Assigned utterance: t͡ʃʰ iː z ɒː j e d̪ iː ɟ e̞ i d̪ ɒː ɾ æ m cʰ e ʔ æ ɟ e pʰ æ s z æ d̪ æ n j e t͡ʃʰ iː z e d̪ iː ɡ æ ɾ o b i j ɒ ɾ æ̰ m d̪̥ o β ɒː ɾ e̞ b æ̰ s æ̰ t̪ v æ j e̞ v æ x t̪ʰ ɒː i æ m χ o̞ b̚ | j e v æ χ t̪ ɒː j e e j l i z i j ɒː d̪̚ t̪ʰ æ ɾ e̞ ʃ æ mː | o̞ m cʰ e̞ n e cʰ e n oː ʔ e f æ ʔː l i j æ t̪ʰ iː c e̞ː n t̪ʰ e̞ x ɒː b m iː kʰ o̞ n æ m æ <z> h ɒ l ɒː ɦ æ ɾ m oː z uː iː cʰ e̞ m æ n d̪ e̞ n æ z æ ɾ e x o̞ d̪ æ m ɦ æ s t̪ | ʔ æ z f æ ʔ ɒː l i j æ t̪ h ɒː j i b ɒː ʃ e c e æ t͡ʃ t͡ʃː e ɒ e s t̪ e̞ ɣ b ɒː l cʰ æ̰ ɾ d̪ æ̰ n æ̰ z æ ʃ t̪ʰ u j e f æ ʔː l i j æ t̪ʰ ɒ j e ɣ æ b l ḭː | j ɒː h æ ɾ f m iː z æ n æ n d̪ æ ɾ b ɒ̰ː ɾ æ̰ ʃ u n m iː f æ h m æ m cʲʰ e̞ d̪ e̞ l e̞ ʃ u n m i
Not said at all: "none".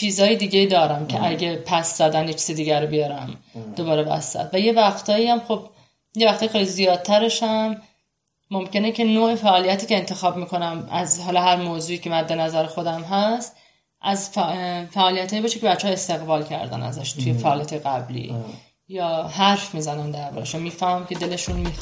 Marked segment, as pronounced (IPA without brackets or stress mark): z